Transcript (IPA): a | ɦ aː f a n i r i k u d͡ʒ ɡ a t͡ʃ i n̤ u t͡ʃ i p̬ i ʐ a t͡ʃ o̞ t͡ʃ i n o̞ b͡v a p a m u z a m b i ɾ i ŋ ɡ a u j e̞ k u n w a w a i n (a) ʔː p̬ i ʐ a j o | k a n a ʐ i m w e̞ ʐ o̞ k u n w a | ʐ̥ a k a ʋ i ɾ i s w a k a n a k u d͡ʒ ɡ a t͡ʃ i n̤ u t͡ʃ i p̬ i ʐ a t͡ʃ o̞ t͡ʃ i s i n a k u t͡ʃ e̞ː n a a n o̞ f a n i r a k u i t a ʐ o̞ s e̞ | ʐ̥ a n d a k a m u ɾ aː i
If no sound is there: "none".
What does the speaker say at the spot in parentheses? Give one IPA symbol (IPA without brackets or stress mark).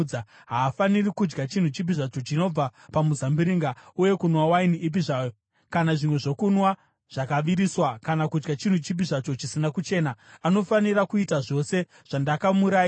i